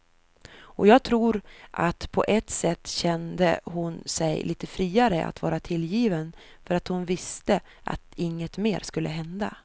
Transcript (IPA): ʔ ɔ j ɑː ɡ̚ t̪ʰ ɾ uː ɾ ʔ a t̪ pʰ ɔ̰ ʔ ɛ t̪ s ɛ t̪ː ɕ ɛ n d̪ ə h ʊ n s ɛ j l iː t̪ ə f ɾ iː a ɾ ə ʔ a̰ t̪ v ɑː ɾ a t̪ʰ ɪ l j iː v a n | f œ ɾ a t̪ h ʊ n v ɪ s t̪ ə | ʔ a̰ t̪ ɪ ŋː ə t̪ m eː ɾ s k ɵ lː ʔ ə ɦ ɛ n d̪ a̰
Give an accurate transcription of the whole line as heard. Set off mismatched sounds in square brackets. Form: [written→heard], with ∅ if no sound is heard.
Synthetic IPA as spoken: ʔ ɔ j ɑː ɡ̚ t̪ʰ ɾ uː ɾ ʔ a t̪ pʰ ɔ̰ ʔ ɛ t̪ s ɛ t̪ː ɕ ɛ n d̪ ə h ʊ n s ɛ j l iː t̪ ə f ɾ iː a ɾ ə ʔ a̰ t̪ v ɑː ɾ a t̪ʰ ɪ l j iː v [a→ə] n | f œ ɾ a t̪ h ʊ n v ɪ s t̪ ə | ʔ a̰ t̪ ɪ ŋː ə t̪ m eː ɾ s k ɵ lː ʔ ə ɦ ɛ n d̪ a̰